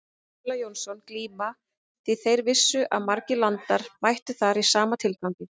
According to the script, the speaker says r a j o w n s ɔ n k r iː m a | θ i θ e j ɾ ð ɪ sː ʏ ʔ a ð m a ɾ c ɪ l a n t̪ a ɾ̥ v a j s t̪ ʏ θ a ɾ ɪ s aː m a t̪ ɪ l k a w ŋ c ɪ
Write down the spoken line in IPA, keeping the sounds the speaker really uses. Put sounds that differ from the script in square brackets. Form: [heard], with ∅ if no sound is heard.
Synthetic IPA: [l] a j o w n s ɔ n k [l] iː m a | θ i θ e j ɾ [v] ɪ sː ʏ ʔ a ð m a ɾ c ɪ l a n t̪ a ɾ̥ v a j [h] t̪ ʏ θ a ɾ [i] s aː m a [t̪ʰ] ɪ l k a w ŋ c ɪ